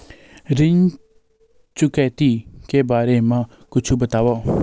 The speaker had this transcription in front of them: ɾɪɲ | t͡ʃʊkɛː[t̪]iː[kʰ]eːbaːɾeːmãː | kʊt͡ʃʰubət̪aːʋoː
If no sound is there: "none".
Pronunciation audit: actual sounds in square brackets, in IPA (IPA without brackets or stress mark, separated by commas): t̪, k